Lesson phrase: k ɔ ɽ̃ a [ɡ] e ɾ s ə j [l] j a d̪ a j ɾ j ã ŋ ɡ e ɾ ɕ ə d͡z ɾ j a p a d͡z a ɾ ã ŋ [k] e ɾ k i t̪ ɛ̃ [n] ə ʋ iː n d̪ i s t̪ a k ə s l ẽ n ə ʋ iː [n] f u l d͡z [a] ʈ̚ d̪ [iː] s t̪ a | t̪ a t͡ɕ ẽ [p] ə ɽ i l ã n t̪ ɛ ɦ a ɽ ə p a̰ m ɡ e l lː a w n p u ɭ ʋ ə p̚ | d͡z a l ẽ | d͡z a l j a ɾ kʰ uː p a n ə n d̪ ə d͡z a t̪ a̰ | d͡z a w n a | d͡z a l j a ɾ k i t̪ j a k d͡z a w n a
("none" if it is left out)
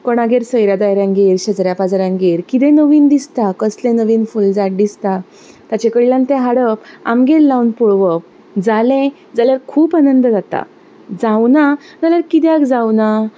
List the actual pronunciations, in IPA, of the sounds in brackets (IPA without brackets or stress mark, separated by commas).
ɡ, ɾ, ɡ, n, n, a, i, k